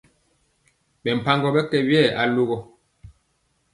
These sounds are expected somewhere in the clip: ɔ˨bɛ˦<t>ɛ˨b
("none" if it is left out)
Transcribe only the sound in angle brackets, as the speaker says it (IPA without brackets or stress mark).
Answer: k